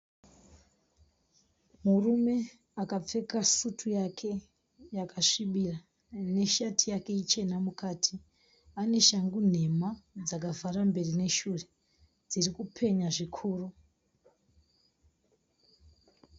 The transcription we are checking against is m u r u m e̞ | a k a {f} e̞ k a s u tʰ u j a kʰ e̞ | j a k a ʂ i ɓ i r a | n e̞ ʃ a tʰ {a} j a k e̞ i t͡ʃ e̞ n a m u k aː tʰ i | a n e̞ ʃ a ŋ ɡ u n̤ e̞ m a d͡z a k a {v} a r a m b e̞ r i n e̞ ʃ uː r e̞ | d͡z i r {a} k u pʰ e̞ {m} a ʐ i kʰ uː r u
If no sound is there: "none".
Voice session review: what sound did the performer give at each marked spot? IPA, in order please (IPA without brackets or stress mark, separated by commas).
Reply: p͡f, i, v, i, ɲ